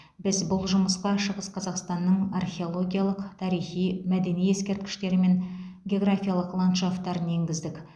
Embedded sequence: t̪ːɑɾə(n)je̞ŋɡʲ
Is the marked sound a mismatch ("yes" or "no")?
no